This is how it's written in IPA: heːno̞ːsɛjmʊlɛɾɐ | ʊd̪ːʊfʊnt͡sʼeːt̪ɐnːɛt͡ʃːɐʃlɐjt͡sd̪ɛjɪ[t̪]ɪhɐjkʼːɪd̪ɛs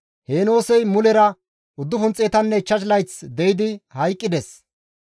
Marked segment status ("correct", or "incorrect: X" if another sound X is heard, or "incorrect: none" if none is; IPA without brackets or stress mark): incorrect: d̪